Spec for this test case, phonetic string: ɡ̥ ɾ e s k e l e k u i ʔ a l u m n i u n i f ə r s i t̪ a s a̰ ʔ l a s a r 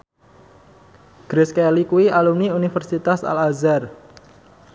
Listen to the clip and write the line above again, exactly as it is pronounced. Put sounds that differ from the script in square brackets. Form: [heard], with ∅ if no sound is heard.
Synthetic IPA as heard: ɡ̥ ɾ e s k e l [i] k u i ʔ a l u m n i u n i f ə r s i t̪ a s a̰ [∅] l a [z] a r